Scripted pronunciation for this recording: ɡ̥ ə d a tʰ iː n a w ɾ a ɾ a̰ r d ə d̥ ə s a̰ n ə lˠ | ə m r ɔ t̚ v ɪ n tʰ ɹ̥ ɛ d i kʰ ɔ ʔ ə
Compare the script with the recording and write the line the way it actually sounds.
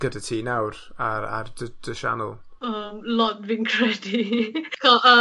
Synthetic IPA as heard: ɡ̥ ə d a tʰ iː n a w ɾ a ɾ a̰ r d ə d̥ ə ʃ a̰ n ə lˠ | ə m l ɔ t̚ v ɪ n kʰ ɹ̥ ɛ d i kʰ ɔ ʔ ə